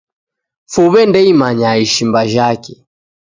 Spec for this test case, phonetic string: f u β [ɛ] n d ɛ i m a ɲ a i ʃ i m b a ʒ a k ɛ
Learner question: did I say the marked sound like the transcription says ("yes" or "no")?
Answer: yes